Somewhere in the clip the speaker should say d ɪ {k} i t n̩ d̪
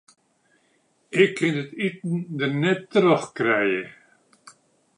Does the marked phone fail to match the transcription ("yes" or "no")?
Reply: yes